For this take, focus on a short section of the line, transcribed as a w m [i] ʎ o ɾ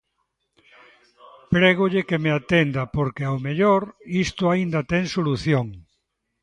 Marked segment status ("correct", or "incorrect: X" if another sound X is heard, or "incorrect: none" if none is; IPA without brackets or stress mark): incorrect: e